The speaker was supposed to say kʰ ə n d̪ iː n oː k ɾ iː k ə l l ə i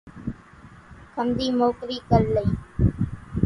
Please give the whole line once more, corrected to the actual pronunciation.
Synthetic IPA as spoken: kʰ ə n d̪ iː m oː k ɾ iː k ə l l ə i